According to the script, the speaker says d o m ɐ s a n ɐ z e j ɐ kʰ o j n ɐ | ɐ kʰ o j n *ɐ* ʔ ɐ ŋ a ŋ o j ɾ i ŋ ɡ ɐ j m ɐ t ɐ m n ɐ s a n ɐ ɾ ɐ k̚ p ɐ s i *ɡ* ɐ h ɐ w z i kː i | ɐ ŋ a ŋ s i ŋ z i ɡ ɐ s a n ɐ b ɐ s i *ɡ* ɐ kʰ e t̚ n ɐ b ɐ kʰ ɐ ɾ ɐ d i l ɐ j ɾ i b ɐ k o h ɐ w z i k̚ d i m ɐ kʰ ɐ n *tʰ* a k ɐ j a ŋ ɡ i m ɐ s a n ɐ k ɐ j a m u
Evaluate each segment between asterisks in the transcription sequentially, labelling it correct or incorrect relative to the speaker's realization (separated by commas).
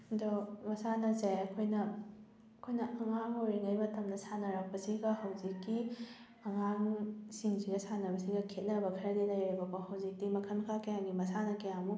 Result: correct, correct, correct, incorrect